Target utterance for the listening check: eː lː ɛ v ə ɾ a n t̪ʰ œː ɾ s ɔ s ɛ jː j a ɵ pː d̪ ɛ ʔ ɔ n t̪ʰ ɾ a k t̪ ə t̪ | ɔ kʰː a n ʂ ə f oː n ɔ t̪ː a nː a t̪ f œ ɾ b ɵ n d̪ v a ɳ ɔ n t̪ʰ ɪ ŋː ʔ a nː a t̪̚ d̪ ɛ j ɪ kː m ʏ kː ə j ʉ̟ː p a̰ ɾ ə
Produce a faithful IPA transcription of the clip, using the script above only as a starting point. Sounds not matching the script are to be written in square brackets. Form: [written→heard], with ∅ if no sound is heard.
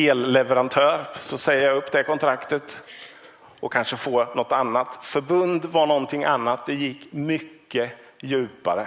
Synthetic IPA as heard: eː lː ɛ v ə ɾ a n t̪ʰ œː ɾ s ɔ s ɛ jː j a ɵ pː d̪ ɛ [ʔ→k] ɔ n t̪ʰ ɾ a k t̪ ə t̪ | ɔ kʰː a n ʂ ə f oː n ɔ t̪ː a nː a t̪ f œ ɾ b ɵ n d̪ v a ɳ ɔ n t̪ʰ ɪ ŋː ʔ a nː a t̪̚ d̪ ɛ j ɪ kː m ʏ kː ə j ʉ̟ː p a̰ ɾ ə